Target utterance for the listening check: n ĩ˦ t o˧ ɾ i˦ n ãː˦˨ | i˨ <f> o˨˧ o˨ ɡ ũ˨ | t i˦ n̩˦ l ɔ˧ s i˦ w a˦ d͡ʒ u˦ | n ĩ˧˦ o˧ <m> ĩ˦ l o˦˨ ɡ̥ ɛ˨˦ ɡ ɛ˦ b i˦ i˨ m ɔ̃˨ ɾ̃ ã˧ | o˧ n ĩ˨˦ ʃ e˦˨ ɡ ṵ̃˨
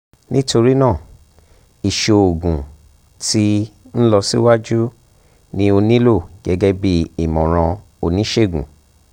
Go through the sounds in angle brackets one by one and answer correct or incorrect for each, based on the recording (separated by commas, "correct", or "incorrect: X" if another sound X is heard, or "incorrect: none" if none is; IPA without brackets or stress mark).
incorrect: ʃ, incorrect: n